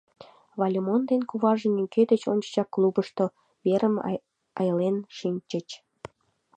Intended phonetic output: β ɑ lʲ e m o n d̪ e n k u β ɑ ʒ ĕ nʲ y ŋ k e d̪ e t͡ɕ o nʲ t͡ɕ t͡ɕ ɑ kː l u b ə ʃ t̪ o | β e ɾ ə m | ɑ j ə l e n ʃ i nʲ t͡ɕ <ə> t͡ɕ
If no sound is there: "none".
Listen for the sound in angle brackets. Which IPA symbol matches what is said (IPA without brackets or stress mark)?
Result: ə